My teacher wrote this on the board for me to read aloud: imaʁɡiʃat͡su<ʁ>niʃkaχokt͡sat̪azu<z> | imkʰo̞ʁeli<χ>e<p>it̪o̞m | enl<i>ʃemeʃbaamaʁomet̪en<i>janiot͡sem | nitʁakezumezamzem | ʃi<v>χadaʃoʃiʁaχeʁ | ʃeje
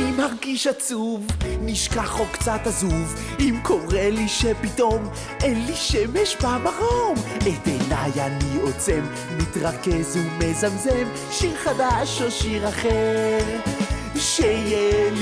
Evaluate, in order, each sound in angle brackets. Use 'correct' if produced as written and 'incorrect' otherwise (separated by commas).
incorrect, incorrect, incorrect, correct, correct, incorrect, incorrect